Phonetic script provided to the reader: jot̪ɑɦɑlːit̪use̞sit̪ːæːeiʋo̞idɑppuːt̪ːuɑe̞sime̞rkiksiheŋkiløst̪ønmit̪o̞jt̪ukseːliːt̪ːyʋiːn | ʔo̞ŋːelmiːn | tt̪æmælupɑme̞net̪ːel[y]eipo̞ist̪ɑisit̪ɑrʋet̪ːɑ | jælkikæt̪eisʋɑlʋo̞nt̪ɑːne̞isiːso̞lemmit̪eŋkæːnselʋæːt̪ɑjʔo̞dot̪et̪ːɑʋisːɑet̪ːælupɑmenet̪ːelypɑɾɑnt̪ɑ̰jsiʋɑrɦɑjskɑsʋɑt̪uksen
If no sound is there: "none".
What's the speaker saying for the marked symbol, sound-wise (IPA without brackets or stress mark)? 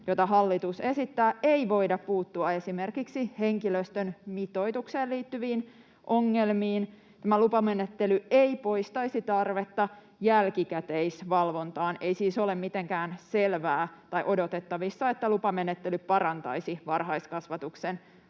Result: y